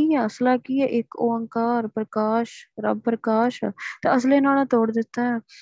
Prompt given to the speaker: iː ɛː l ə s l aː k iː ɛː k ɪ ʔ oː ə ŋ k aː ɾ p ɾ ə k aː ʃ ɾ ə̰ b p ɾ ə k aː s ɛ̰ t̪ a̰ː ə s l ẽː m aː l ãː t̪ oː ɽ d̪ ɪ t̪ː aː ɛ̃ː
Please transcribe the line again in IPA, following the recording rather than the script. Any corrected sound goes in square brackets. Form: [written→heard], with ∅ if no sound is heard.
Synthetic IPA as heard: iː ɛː [l→∅] ə s l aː k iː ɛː [k→ʔ] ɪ [ʔ→k] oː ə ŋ k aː ɾ p ɾ ə k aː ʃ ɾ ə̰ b p ɾ ə k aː [s→ʃ] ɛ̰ t̪ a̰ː ə s l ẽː [m→n] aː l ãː t̪ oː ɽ d̪ ɪ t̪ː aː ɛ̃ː